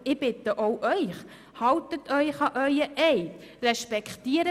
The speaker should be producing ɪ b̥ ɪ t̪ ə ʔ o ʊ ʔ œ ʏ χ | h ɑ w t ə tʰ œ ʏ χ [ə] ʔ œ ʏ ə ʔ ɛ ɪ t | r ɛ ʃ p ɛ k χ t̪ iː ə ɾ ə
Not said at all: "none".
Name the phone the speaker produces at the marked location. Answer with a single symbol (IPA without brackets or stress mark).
ɑ